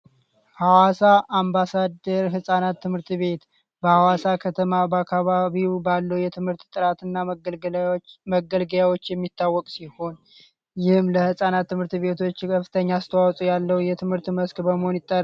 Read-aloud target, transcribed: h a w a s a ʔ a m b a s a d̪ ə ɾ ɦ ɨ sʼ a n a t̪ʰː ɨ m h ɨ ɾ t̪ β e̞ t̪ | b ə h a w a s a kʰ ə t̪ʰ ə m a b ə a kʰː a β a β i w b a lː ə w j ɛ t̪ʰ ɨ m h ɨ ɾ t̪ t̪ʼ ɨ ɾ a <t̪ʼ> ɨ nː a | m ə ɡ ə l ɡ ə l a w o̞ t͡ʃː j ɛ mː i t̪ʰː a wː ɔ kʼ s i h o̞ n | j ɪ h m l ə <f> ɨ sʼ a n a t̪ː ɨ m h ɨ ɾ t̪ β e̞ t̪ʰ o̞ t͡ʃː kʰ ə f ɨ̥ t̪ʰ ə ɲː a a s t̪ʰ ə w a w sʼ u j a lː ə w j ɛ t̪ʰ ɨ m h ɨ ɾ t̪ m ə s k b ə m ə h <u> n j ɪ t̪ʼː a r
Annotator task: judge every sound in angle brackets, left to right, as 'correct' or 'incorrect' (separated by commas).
incorrect, incorrect, incorrect